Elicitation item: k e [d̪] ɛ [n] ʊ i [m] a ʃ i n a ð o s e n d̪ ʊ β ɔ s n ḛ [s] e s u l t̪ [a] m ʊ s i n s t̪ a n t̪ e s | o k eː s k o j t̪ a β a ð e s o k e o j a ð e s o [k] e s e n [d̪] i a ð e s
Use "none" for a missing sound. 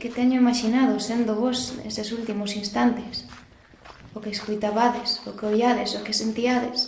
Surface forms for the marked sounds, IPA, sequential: t̪, ɲ, m, s, i, k, t̪

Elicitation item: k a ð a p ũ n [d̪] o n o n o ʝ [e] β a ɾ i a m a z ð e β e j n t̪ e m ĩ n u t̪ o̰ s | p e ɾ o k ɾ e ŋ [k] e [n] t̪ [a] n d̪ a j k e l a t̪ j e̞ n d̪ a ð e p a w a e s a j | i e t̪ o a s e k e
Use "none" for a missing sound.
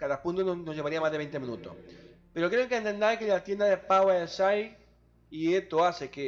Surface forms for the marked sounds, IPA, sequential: t̪, e, k, n, e

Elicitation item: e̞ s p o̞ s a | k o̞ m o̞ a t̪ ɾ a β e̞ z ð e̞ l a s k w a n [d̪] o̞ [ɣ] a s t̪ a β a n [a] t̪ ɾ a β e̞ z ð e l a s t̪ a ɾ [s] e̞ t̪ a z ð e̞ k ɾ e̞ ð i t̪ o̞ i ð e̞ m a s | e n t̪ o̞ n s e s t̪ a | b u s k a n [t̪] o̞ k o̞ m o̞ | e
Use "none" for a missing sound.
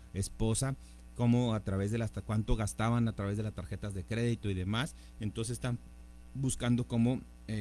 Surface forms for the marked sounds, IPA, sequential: t̪, ɣ, a, x, d̪

